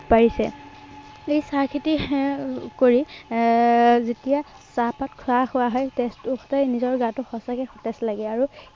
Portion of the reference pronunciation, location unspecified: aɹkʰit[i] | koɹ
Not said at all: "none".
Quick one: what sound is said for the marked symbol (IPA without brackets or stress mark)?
i